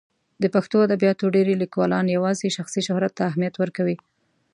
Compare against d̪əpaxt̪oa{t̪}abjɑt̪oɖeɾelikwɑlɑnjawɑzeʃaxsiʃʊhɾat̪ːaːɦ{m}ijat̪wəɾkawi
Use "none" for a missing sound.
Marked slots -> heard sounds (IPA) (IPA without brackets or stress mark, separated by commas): d̪, m